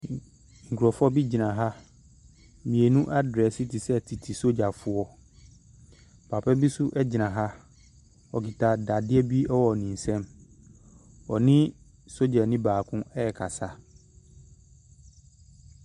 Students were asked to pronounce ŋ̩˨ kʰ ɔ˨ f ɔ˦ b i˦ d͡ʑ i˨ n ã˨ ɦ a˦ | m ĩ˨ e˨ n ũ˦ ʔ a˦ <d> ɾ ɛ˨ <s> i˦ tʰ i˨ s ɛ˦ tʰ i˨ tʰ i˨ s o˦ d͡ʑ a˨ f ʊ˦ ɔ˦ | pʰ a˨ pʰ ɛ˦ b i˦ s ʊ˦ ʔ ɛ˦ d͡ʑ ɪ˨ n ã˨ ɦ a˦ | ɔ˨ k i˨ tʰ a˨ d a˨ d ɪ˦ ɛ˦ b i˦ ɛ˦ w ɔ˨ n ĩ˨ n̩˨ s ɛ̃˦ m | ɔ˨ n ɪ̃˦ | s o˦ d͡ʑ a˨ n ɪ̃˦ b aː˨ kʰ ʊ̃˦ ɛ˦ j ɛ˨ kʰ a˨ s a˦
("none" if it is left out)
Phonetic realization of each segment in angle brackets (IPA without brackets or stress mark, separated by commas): d, s